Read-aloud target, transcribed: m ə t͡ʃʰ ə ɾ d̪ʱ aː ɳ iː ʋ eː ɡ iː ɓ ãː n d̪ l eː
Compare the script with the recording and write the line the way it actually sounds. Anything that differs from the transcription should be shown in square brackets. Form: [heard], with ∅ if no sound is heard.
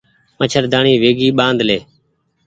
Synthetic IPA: m ə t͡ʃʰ ə ɾ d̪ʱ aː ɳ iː ʋ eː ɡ iː ɓ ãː n d̪ l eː

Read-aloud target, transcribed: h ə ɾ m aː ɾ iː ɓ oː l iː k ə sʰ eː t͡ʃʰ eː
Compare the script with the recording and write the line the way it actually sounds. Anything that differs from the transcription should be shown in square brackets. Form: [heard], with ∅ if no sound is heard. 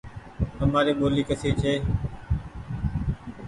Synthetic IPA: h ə [∅] m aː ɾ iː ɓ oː l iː k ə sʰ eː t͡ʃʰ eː

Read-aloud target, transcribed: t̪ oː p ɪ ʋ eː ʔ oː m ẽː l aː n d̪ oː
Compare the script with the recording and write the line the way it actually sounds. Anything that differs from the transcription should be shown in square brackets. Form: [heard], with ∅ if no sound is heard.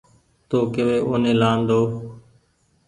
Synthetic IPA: t̪ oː [k] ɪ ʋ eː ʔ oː [n] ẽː l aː n d̪ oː

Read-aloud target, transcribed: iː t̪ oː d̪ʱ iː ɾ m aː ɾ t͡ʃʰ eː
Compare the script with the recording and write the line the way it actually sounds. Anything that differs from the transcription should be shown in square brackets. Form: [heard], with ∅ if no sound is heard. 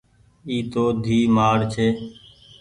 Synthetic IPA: iː t̪ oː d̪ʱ iː [∅] m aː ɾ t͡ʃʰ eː

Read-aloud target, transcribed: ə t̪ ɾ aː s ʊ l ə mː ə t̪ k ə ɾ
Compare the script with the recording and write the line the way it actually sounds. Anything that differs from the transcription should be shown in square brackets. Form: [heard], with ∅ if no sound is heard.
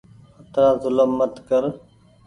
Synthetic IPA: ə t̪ ɾ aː [z] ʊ l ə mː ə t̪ k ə ɾ

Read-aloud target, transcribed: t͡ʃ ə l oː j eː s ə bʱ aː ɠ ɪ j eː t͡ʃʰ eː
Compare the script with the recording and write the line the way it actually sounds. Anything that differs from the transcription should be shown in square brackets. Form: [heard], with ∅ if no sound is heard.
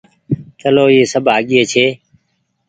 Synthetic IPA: t͡ʃ ə l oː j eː s ə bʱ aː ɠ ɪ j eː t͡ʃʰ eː

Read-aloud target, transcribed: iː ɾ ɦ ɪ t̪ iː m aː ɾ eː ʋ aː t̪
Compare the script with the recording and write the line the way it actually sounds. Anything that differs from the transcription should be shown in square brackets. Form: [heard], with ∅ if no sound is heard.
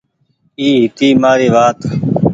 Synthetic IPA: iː [∅] ɦ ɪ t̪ iː m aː ɾ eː ʋ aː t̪

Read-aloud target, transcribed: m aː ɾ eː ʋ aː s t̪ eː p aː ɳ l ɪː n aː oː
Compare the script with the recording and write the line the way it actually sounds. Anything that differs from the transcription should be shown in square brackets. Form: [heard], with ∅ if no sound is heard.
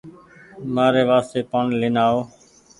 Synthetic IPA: m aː ɾ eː ʋ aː s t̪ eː p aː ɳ l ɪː n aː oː

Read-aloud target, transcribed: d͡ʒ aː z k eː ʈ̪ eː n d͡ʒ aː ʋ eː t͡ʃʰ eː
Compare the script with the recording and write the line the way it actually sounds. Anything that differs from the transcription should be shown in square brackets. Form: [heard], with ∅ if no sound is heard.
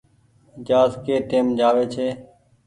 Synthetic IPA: d͡ʒ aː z k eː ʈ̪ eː [m] d͡ʒ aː ʋ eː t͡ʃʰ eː

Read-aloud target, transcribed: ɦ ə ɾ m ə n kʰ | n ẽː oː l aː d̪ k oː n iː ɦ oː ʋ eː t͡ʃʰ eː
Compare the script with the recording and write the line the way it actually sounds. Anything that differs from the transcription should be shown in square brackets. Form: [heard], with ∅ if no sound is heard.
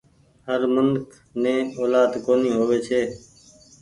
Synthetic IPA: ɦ ə ɾ m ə n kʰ | n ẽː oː l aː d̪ k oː n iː ɦ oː ʋ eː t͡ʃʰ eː

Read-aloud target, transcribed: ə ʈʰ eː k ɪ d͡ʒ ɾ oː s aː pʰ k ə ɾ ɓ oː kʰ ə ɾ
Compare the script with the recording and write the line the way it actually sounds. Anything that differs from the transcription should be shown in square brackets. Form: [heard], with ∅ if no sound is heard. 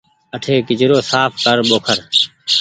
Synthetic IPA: ə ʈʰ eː k ɪ d͡ʒ ɾ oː s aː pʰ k ə ɾ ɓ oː kʰ ə ɾ

